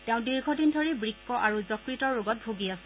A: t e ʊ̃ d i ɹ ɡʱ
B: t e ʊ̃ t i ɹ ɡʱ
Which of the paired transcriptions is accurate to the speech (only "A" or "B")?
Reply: A